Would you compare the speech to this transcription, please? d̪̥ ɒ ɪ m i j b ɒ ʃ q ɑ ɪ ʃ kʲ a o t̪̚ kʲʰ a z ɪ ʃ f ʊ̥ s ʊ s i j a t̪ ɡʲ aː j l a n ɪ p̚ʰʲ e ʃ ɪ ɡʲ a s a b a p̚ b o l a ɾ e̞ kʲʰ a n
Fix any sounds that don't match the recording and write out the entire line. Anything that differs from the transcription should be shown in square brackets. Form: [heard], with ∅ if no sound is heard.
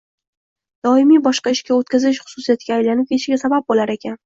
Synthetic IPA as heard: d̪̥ ɒ ɪ m i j b ɒ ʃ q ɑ ɪ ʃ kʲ a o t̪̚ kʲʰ a z ɪ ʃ [χ] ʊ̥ s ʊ s i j a t̪ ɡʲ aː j l a n ɪ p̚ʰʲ e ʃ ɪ ɡʲ a s a b a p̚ b o l a ɾ e̞ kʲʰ a n